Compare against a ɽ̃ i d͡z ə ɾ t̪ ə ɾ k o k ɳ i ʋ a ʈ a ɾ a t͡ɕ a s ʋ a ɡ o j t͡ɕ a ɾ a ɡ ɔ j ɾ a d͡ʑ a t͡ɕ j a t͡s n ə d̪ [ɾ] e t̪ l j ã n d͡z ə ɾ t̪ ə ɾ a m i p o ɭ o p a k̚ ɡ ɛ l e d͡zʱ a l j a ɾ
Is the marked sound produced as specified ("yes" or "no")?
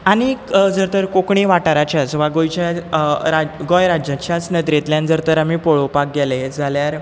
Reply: yes